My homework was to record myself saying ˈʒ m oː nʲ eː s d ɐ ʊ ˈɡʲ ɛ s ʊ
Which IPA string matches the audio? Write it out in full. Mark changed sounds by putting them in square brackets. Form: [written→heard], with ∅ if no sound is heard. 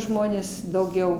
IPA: ˈʒ m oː nʲ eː s d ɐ ʊ ˈɡʲ ɛ [s→∅] ʊ